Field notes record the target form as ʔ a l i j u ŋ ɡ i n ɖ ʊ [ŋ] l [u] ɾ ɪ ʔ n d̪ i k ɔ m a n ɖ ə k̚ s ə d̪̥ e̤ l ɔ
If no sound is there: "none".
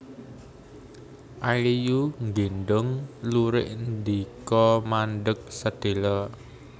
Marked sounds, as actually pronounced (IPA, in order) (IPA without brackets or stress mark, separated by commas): ŋ, u